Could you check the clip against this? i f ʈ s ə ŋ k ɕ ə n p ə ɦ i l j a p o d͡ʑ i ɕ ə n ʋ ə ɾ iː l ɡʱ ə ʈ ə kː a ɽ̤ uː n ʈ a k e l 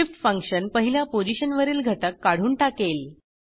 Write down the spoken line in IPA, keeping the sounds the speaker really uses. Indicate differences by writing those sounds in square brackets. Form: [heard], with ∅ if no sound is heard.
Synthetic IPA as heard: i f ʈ [f] ə ŋ k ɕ ə n p ə ɦ i l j a p o d͡ʑ i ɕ ə n ʋ ə ɾ iː l ɡʱ ə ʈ ə kː a ɽ̤ uː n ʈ a k e l